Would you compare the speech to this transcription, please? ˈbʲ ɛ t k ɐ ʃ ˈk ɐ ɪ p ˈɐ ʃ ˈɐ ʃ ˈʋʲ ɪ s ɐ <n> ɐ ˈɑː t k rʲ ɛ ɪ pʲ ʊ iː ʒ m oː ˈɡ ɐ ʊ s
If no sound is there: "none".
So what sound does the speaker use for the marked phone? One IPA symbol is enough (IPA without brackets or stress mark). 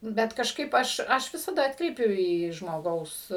d